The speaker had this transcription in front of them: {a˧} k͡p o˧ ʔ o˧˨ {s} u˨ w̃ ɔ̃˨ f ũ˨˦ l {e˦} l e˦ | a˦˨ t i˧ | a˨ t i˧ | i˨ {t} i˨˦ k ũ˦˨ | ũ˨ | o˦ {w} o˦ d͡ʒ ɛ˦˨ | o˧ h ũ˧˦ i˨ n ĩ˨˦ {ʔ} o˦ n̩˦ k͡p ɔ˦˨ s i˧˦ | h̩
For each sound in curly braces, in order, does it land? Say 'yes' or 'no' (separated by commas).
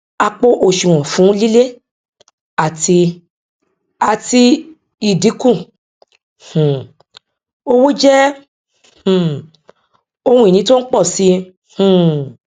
yes, no, no, no, yes, no